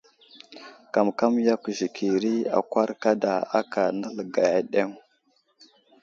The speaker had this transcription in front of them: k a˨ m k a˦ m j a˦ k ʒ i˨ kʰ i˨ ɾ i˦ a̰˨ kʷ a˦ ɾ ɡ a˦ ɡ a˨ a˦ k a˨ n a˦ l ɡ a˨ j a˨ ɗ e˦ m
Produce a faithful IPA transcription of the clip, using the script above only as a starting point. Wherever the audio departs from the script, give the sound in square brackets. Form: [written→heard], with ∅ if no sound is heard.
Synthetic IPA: k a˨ m k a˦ m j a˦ k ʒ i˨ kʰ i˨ ɾ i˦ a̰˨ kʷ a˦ ɾ [ɡ→k] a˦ [ɡ→d] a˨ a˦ k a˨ n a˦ l ɡ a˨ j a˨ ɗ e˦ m